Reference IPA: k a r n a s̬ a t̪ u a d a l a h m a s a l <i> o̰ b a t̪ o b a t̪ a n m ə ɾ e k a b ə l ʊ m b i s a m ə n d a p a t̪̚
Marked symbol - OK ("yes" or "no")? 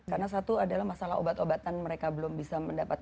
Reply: no